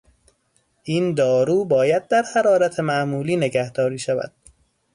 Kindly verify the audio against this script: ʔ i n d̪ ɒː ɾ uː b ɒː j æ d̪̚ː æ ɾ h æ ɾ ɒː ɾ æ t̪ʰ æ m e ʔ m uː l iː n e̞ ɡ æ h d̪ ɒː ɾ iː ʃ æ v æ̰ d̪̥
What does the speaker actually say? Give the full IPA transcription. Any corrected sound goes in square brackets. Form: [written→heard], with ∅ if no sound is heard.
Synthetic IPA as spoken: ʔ i n d̪ ɒː ɾ uː b ɒː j æ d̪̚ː æ ɾ h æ ɾ ɒː ɾ æ t̪ʰ [æ→e] m [e→æ] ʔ m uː l iː n e̞ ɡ æ h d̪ ɒː ɾ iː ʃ æ v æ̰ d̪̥

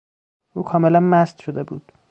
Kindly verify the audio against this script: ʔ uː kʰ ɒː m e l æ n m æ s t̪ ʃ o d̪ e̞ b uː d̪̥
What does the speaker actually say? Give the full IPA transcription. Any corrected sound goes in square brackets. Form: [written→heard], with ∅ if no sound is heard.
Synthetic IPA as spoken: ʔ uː kʰ ɒː m e l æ n m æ s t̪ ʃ o d̪ e̞ b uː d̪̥

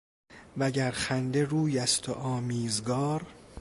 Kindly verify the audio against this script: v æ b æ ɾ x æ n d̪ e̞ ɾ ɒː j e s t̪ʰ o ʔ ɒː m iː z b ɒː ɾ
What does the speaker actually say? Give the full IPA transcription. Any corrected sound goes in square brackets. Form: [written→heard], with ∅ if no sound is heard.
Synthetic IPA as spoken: v æ [b→ɟ] æ ɾ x æ n d̪ e̞ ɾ [ɒː→uː] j [e→æ] s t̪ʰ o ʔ ɒː m iː z [b→ɡ] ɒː ɾ

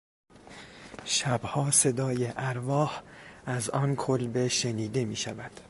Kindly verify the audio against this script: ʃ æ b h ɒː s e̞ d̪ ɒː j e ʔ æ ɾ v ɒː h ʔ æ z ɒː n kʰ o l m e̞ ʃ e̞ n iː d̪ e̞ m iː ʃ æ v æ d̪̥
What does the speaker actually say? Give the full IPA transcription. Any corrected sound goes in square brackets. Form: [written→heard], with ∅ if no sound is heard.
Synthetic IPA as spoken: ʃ æ b h ɒː s e̞ d̪ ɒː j e ʔ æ ɾ v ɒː h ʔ æ z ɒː n kʰ o l [m→b] e̞ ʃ e̞ n iː d̪ e̞ m iː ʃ æ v æ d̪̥

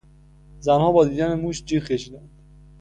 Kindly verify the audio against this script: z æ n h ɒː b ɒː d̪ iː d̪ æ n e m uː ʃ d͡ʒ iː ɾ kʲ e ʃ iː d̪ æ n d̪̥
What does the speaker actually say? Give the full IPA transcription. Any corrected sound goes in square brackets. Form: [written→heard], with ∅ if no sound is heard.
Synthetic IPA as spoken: z æ n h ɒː b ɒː d̪ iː d̪ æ n e m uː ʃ d͡ʒ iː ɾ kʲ e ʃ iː d̪ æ n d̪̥

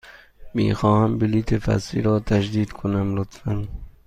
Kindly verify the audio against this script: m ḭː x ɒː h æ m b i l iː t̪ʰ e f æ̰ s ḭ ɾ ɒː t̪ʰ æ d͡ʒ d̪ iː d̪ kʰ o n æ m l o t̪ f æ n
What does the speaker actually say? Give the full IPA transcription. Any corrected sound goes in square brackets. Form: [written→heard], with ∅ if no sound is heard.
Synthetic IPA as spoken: m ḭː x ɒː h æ m b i l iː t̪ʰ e f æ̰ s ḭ ɾ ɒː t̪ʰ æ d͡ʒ d̪ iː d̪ kʰ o n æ m l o t̪ f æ n

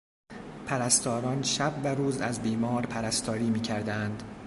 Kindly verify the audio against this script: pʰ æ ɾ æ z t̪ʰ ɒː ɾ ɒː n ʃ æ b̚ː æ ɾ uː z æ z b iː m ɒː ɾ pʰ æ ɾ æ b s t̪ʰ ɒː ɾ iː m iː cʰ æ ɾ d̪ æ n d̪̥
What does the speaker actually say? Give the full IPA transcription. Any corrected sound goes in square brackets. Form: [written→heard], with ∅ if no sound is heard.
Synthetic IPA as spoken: pʰ æ ɾ æ [z→s] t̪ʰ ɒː ɾ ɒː n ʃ æ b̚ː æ ɾ uː z æ z b iː m ɒː ɾ pʰ æ ɾ æ [b→∅] s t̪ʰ ɒː ɾ iː m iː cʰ æ ɾ d̪ æ n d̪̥

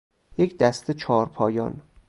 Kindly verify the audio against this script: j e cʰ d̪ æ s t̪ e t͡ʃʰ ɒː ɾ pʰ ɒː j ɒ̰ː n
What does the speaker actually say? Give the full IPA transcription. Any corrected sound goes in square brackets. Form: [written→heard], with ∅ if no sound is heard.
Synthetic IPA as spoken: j e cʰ d̪ æ s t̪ e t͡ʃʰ ɒː ɾ pʰ ɒː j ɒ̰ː n

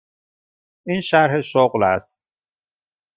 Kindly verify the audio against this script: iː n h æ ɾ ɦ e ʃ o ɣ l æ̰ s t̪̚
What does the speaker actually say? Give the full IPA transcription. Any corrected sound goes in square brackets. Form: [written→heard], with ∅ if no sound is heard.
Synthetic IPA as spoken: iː n [h→ʃ] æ ɾ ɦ e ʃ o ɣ l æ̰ s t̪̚

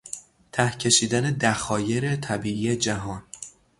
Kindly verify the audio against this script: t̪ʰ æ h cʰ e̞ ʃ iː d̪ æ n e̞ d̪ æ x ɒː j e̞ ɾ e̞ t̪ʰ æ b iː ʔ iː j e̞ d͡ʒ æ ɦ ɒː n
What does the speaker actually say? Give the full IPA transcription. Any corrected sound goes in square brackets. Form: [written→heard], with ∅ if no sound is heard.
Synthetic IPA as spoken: t̪ʰ æ h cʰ e̞ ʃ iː d̪ æ n e̞ d̪ æ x ɒː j e̞ ɾ e̞ t̪ʰ æ b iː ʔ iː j e̞ d͡ʒ æ ɦ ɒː n

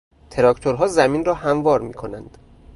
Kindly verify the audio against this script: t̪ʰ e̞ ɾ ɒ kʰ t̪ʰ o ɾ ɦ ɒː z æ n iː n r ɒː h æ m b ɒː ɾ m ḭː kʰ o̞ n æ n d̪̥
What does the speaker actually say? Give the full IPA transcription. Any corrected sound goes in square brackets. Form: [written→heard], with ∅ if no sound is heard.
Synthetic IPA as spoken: t̪ʰ e̞ ɾ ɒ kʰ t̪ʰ o ɾ ɦ ɒː z æ [n→m] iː n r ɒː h æ m [b→v] ɒː ɾ m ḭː kʰ o̞ n æ n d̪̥

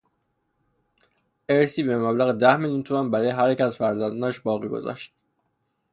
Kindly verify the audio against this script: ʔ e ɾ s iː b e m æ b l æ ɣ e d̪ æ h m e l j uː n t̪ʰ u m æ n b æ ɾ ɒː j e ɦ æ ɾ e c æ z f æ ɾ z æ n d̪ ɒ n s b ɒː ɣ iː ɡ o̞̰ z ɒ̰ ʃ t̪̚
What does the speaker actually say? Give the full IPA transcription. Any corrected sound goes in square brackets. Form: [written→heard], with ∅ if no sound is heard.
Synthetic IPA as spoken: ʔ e ɾ s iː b e m æ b l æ ɣ e d̪ æ h m e l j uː n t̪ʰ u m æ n b æ ɾ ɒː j e ɦ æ ɾ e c æ z f æ ɾ z æ n d̪ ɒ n [s→ʃ] b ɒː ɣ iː ɡ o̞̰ z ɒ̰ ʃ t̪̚

